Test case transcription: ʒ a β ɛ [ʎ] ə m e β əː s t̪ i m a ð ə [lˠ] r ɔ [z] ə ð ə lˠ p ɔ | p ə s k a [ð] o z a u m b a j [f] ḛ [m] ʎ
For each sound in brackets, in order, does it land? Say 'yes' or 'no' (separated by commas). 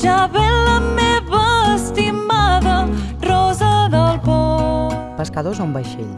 no, no, yes, yes, no, no